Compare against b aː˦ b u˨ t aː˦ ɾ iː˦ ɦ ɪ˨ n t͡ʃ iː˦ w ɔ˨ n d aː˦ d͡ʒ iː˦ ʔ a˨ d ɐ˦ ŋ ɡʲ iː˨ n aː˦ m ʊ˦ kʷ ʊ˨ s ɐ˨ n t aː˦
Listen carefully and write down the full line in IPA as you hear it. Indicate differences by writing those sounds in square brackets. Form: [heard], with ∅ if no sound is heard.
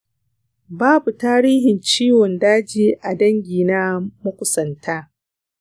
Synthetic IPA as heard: b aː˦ b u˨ t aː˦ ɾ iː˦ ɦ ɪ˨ n t͡ʃ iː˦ w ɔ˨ n d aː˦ d͡ʒ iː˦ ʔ a˨ d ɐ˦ ŋ ɡʲ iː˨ n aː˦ m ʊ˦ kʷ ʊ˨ s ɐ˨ n t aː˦